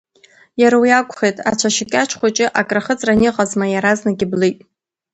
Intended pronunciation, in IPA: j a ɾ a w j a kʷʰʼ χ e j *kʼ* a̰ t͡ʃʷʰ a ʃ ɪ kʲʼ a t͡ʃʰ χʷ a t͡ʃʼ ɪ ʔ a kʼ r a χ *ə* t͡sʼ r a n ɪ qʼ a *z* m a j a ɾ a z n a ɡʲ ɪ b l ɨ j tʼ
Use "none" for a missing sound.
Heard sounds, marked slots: tʼ, ə, z

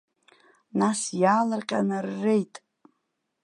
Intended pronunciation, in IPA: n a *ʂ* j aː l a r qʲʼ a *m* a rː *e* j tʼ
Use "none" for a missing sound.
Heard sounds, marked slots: s, n, e

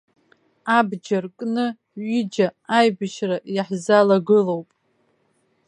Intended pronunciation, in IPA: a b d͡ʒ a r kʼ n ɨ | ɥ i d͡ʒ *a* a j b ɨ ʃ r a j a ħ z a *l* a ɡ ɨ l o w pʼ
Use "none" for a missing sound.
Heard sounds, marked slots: a, l

